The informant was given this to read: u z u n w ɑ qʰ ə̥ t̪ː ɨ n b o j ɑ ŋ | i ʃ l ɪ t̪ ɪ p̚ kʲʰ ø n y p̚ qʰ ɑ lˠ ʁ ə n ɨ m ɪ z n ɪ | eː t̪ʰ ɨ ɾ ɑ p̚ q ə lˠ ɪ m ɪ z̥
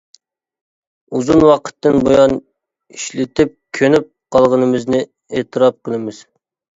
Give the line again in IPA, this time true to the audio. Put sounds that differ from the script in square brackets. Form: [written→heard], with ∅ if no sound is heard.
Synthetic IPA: u z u n w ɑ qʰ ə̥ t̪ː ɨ n b o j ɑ [ŋ→n] | i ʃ l ɪ t̪ ɪ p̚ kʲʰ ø n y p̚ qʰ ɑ lˠ ʁ ə n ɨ m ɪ z n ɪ | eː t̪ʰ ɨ ɾ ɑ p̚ q ə lˠ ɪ m ɪ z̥

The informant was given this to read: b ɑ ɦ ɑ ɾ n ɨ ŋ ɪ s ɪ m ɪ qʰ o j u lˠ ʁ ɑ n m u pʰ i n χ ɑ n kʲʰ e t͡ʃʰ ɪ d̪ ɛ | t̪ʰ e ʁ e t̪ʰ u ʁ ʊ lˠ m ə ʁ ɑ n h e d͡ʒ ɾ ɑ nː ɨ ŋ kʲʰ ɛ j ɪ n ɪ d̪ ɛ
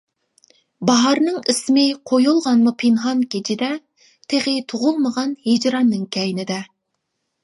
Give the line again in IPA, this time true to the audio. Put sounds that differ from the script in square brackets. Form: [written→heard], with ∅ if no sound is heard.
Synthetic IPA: b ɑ ɦ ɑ ɾ n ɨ ŋ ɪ s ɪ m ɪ qʰ o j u lˠ ʁ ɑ n m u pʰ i n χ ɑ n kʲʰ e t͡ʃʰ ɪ d̪ ɛ | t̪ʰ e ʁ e t̪ʰ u ʁ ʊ lˠ m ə ʁ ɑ n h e d͡ʒ ɾ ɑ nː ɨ ŋ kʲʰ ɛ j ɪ n ɪ d̪ ɛ

